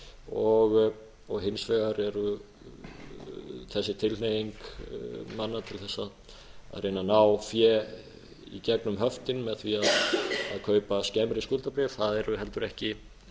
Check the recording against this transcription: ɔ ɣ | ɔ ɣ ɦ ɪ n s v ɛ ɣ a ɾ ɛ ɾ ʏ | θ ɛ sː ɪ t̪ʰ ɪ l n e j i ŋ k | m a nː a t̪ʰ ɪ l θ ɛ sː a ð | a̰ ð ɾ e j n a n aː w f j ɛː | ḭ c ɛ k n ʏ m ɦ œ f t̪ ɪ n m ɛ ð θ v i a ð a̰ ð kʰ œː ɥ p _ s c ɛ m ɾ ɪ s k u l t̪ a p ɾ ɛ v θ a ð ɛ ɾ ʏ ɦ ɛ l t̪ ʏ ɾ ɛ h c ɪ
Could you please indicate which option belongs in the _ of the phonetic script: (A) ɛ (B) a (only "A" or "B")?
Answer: B